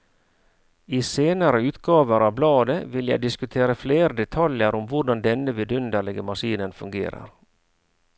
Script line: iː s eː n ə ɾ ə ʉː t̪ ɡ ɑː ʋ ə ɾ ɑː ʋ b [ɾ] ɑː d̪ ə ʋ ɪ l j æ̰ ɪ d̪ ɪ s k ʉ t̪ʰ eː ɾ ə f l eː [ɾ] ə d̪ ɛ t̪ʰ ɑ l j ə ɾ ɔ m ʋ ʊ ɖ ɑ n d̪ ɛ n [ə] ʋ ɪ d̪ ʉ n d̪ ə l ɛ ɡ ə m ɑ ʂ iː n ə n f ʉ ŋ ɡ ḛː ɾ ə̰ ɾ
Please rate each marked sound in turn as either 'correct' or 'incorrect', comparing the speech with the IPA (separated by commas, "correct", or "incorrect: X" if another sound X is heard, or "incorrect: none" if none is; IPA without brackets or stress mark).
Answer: incorrect: l, correct, correct